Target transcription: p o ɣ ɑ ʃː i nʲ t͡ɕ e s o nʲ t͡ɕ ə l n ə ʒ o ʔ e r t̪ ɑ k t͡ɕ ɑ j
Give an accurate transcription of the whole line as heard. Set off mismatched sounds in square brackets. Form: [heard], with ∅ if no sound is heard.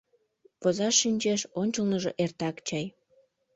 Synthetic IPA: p o [z] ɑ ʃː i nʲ t͡ɕ e [ʃ] o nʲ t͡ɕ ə l n ə ʒ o ʔ e r t̪ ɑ k t͡ɕ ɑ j